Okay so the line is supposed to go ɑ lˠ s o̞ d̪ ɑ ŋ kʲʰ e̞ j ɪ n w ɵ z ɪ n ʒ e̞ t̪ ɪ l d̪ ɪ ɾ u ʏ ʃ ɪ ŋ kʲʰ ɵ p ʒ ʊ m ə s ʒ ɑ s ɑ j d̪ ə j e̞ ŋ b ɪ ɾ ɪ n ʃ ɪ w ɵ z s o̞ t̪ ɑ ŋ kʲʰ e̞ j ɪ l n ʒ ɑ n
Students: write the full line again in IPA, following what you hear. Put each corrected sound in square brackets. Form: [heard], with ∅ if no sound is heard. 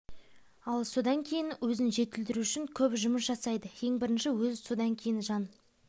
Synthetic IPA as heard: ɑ lˠ s o̞ d̪ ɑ ŋ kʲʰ e̞ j ɪ n w ɵ z ɪ n ʒ e̞ t̪ ɪ l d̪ ɪ ɾ u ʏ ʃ ɪ ŋ kʲʰ ɵ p ʒ ʊ m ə s ʒ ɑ s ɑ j d̪ ə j e̞ ŋ b ɪ ɾ ɪ n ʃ ɪ w ɵ z s o̞ [d̪] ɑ ŋ kʲʰ e̞ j ɪ [∅] n ʒ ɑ n